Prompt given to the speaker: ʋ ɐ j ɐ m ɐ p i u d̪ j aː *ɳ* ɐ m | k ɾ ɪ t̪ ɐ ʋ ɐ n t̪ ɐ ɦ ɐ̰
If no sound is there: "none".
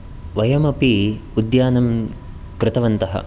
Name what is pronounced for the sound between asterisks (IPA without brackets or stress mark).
n